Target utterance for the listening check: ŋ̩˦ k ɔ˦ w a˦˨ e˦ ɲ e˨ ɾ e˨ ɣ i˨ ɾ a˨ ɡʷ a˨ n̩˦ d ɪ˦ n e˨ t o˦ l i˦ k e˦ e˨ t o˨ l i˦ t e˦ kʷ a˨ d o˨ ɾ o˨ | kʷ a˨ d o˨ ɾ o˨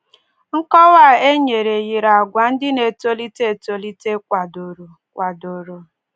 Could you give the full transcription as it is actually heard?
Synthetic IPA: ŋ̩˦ k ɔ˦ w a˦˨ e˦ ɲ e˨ ɾ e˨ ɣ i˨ ɾ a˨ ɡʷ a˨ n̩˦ d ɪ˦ n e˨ t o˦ l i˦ t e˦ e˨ t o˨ l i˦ t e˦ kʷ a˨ d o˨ ɾ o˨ | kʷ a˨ d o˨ ɾ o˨